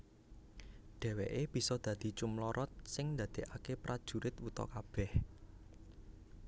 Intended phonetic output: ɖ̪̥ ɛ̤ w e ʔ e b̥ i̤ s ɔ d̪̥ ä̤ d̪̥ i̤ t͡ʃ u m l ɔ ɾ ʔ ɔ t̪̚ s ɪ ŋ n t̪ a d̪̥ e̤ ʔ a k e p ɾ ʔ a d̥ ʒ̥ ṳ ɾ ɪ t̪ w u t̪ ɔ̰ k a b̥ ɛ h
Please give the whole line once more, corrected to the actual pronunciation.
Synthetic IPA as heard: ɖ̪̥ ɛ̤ w e ʔ e b̥ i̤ s ɔ d̪̥ ä̤ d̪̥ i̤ t͡ʃ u m l ɔ ɾ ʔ ɔ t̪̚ s ɪ ŋ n d̪ a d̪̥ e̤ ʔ a k e p ɾ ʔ a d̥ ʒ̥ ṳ ɾ ɪ t̪ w u t̪ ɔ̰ k a b̥ ɛ h